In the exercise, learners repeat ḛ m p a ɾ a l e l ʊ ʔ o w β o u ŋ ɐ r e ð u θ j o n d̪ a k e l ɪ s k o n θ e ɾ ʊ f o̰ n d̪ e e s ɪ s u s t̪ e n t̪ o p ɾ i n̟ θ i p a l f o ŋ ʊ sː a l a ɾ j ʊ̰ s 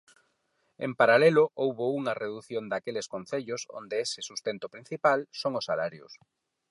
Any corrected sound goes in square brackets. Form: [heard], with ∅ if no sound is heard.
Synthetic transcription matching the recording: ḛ m p a ɾ a l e l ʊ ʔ o w β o u ŋ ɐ r e ð u θ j o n d̪ a k e l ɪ s k o n θ e [ʎ] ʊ [s] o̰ n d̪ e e s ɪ s u s t̪ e n t̪ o p ɾ i n̟ θ i p a l [s] o ŋ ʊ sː a l a ɾ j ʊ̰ s